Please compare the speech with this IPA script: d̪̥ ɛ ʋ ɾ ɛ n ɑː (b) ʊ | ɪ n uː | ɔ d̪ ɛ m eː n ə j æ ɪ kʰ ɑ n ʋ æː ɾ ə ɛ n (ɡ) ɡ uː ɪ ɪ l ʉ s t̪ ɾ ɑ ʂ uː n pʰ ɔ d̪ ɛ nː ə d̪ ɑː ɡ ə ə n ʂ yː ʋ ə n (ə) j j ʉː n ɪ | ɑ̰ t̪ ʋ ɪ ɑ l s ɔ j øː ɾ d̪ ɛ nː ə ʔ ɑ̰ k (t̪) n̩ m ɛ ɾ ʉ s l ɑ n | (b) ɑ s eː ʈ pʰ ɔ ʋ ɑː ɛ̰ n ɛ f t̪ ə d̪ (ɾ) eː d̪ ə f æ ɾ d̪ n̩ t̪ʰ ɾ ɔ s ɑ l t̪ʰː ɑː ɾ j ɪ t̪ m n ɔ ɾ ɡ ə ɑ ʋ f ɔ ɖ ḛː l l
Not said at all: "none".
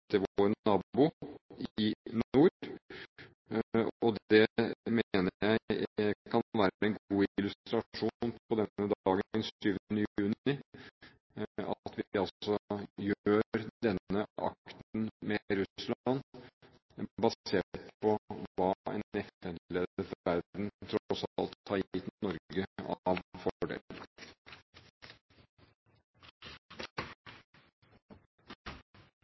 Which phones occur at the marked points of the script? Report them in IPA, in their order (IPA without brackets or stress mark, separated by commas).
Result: b, ɡ, ə, t̪, b, l